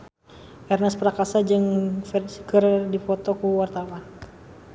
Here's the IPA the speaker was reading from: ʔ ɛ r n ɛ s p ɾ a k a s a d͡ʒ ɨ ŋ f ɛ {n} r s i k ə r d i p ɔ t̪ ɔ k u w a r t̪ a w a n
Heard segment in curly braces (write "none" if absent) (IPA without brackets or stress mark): none